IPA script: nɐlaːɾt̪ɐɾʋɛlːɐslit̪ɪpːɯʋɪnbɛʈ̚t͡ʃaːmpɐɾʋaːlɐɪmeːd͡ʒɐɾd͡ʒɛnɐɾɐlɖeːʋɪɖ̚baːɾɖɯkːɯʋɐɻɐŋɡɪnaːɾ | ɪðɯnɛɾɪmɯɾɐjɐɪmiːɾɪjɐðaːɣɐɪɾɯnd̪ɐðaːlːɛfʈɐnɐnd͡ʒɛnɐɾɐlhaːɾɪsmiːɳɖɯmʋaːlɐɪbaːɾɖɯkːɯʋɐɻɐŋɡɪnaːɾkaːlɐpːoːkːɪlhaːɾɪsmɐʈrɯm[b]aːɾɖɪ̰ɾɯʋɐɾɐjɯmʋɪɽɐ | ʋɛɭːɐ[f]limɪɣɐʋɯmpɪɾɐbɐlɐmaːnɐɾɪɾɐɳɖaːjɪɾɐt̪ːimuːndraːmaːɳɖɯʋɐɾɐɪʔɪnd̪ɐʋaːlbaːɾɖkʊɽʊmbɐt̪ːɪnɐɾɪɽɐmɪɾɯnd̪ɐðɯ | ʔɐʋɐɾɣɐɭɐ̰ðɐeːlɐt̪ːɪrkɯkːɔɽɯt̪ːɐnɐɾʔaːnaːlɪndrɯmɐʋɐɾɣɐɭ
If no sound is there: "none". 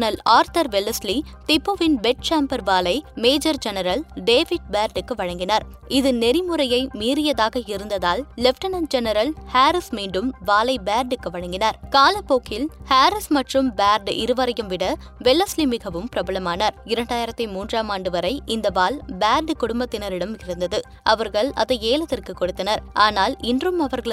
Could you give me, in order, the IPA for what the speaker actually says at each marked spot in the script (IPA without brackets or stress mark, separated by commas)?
b, s